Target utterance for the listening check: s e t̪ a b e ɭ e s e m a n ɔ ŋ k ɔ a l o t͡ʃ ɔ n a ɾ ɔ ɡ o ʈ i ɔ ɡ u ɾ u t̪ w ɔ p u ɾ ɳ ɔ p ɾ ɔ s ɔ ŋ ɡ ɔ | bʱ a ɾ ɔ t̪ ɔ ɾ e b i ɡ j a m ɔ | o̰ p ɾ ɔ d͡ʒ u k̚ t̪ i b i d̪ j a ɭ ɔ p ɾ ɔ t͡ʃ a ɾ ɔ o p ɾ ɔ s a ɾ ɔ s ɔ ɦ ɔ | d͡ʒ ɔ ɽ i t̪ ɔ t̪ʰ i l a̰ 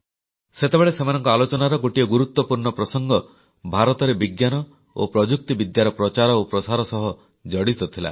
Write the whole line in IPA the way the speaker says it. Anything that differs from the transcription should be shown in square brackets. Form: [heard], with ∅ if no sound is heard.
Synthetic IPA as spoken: s e t̪ [e] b e ɭ e s e m a n ɔ ŋ k ɔ a l o t͡ʃ ɔ n a ɾ ɔ ɡ o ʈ i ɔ ɡ u ɾ u t̪ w ɔ p u ɾ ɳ ɔ p ɾ ɔ s ɔ ŋ ɡ ɔ | bʱ a ɾ ɔ t̪ ɔ ɾ e b i ɡ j a [n] ɔ | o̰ p ɾ ɔ d͡ʒ u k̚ t̪ i b i d̪ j a [ɾ] ɔ p ɾ ɔ t͡ʃ a ɾ ɔ o p ɾ ɔ s a ɾ ɔ s ɔ ɦ ɔ | d͡ʒ ɔ ɽ i t̪ ɔ t̪ʰ i l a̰